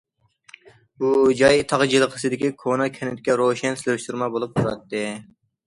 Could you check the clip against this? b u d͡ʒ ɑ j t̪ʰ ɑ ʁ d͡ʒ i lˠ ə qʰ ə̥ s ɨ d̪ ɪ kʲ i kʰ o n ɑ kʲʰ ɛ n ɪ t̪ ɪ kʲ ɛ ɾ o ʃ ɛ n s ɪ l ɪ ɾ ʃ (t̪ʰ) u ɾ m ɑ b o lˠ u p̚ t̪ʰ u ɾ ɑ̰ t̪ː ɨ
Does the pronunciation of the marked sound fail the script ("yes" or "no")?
yes